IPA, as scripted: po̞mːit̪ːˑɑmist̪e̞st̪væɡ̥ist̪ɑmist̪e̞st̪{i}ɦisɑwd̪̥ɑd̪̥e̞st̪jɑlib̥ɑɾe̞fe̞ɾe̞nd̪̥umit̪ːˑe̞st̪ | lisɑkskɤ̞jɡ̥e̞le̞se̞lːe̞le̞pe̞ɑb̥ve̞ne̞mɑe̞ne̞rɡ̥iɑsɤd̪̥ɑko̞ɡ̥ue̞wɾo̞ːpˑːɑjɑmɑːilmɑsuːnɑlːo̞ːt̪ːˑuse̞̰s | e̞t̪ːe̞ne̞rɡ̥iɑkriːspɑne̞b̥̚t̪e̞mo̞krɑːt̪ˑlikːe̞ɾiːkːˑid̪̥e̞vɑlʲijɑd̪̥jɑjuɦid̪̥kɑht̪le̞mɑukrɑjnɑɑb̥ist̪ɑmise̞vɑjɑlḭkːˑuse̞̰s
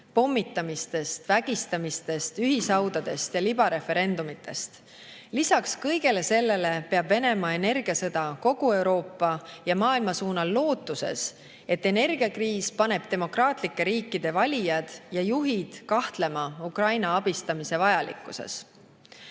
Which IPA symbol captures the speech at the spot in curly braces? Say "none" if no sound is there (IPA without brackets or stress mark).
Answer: y